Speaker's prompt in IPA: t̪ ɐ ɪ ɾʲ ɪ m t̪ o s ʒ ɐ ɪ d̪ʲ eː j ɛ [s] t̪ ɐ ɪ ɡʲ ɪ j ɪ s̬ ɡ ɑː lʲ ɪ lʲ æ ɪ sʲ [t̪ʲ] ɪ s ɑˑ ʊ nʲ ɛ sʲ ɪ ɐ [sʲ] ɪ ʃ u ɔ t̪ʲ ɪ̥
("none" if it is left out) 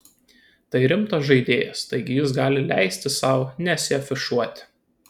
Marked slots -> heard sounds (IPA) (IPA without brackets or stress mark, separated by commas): s, t̪ʲ, fʲ